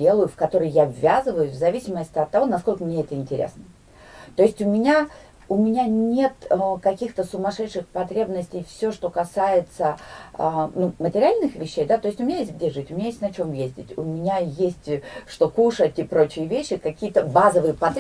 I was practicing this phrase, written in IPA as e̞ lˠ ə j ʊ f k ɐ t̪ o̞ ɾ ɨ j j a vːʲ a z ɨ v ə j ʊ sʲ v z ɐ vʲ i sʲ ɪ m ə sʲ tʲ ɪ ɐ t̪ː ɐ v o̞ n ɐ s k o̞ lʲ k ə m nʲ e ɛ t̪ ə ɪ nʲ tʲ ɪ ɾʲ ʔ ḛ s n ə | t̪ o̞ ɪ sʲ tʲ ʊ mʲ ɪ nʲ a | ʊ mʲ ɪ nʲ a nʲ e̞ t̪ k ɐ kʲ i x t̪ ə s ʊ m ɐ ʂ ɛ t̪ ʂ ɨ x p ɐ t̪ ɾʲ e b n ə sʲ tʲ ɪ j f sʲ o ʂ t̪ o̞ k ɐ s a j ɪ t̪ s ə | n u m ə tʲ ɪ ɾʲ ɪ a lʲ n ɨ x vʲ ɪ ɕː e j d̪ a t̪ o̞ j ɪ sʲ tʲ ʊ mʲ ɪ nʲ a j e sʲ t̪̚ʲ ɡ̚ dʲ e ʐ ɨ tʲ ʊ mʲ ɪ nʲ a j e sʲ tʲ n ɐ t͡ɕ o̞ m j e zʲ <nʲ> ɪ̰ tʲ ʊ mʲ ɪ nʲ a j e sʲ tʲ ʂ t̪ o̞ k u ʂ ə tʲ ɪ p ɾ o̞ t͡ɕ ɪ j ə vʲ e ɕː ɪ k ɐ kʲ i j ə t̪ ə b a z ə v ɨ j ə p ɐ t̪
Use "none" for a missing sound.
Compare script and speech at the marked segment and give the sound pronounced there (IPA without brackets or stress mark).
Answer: dʲ